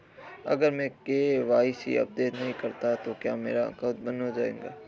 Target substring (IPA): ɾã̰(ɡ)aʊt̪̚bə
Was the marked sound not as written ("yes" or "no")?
yes